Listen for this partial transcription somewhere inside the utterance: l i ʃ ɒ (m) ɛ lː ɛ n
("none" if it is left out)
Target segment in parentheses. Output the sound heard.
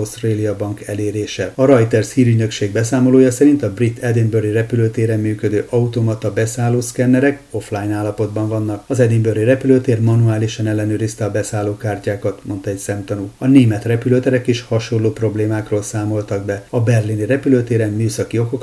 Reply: n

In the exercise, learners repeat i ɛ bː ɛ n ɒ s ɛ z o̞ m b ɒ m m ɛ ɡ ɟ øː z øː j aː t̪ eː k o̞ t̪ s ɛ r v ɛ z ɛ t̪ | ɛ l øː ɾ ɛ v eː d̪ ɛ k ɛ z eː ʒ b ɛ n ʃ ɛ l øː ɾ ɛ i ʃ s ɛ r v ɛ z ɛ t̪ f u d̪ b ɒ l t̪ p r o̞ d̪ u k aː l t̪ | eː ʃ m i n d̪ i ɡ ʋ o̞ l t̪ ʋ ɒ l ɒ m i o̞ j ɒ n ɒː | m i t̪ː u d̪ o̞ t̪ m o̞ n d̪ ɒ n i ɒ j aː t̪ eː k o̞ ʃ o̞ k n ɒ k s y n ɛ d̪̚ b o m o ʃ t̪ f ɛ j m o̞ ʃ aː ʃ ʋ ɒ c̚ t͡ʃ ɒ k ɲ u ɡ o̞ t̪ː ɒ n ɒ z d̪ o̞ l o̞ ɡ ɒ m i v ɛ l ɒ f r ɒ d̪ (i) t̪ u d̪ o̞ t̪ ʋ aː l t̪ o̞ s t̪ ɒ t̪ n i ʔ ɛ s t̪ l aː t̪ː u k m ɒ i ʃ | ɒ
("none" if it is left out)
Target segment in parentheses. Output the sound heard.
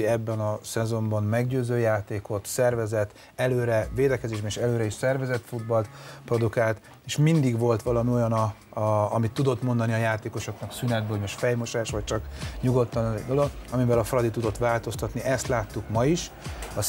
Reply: i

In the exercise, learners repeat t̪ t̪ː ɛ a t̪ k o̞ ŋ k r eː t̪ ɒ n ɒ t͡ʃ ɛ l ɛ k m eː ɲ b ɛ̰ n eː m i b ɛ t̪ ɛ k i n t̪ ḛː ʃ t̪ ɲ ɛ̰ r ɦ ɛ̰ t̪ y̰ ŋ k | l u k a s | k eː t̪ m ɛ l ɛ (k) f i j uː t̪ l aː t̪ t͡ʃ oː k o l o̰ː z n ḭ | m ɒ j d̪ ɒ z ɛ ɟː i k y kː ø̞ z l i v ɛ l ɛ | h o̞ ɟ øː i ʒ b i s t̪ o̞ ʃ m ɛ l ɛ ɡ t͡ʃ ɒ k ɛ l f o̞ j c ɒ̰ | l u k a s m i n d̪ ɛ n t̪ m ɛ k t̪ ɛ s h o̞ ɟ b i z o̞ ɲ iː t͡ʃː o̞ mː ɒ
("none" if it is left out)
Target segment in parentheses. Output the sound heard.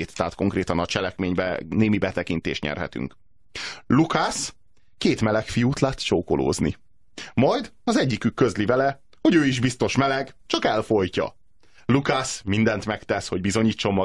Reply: k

